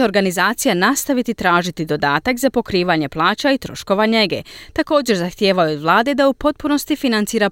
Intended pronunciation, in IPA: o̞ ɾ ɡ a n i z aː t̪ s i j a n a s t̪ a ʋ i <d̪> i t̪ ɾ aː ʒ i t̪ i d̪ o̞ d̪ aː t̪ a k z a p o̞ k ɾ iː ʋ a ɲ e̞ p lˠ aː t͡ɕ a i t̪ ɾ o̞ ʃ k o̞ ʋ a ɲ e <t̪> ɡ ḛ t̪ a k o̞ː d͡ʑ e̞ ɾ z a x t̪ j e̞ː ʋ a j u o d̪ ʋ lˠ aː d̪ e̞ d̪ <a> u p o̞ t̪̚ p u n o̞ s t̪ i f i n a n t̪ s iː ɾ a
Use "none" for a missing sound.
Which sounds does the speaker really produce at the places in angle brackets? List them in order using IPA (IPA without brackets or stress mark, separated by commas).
t̪, none, a